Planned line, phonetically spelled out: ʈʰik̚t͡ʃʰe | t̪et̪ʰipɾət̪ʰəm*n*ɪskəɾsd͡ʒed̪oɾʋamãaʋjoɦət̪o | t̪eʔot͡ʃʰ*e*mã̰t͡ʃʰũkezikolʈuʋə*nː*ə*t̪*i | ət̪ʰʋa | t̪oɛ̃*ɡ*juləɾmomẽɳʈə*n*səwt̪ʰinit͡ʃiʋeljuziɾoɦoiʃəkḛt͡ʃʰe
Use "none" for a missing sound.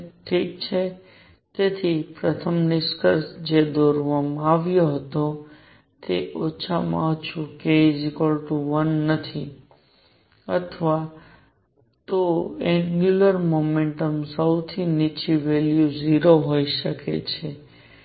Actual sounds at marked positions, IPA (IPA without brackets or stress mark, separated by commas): n, a, nː, t̪ʰ, ɡ, m